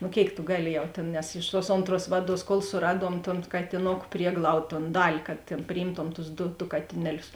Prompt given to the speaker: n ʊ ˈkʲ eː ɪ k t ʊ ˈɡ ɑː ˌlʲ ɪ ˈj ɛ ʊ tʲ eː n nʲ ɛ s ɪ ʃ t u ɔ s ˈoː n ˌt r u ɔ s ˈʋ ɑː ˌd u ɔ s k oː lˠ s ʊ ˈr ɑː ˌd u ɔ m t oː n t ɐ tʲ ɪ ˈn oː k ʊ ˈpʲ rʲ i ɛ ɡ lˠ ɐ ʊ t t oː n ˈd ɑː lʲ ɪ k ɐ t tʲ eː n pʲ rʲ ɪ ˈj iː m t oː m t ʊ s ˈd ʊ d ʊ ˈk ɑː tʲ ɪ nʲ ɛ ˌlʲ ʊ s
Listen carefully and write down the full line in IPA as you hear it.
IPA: n ʊ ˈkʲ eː ɪ k t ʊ ˈɡ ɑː ˌlʲ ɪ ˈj ɛ ʊ tʲ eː n nʲ ɛ s ɪ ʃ t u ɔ s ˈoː n ˌt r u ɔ s ˈʋ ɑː ˌd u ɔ s k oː lˠ s ʊ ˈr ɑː ˌd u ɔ m t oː n k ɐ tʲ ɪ ˈn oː k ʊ ˈpʲ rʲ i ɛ ɡ lˠ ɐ ʊ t t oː n ˈd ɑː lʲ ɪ k ɐ t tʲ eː n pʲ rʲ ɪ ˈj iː m t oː m t ʊ s ˈd ʊ d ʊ ˈk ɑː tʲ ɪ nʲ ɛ ˌlʲ ʊ s